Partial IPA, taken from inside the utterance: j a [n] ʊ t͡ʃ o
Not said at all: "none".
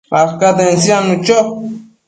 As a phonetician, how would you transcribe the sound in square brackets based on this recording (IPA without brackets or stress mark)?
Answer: n